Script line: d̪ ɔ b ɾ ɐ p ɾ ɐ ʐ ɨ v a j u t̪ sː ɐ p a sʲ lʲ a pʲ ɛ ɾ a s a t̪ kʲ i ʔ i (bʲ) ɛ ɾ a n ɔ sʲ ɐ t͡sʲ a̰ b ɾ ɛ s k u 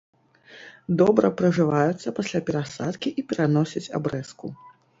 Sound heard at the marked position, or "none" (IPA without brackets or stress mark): pʲ